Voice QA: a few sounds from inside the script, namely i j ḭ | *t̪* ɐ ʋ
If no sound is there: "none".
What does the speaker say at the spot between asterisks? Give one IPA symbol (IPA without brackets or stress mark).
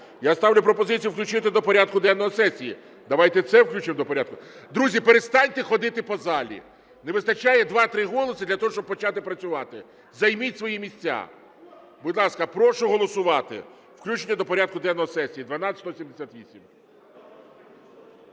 d̪